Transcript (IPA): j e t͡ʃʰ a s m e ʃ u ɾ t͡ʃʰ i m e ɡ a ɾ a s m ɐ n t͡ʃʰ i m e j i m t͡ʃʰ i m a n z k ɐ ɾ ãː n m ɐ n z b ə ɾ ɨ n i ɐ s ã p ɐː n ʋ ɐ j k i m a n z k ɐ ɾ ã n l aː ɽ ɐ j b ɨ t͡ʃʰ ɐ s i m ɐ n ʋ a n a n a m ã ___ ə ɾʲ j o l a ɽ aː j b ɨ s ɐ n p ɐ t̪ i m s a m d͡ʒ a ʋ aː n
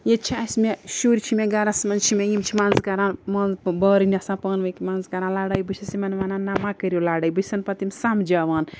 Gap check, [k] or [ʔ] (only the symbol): k